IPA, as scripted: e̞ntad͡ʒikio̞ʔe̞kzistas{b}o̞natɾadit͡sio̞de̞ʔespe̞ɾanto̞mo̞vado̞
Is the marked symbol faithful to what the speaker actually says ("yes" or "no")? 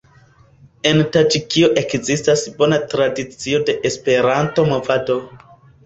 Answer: yes